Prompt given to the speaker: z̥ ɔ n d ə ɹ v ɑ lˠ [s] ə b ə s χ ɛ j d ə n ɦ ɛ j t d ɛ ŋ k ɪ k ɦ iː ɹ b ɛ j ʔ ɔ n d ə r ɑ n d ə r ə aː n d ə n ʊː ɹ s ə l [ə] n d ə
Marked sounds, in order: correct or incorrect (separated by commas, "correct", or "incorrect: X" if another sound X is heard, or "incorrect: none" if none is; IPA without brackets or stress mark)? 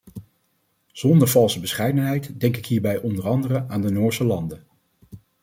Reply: correct, incorrect: ɑ